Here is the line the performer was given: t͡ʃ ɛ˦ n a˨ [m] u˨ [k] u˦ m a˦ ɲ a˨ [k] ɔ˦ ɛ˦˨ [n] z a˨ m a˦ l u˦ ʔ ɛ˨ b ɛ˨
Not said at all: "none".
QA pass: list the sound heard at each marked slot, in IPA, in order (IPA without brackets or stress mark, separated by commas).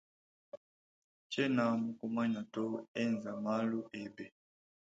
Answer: m, k, t, n